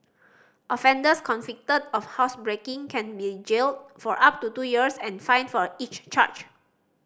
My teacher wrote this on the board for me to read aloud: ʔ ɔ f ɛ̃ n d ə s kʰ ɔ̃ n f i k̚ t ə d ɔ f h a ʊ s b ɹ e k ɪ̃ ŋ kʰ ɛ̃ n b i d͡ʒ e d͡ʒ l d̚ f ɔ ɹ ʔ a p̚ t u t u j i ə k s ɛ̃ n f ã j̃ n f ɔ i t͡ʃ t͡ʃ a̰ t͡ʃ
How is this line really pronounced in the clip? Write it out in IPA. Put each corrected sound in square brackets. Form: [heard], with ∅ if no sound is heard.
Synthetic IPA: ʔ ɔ f ɛ̃ n d ə s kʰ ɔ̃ n f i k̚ t ə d ɔ f h a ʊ s b ɹ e k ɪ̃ ŋ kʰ ɛ̃ n b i d͡ʒ e [∅] l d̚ f ɔ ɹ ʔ a p̚ t u t u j i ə [∅] s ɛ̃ n f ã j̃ n f ɔ i t͡ʃ t͡ʃ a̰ t͡ʃ